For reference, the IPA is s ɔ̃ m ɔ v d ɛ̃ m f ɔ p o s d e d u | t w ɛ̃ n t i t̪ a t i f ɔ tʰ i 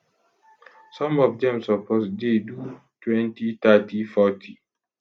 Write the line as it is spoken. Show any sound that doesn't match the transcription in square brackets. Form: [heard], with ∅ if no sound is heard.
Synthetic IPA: s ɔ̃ m ɔ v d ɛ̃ m [s] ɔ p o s d e d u | t w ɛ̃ n t i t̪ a t i f ɔ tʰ i